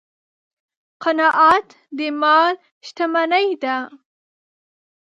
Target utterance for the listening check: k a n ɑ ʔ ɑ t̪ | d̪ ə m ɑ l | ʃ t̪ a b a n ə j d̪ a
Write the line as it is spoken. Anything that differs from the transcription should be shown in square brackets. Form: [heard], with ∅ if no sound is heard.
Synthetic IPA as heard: [q] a n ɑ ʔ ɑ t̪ | d̪ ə m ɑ l | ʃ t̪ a [m] a n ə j d̪ a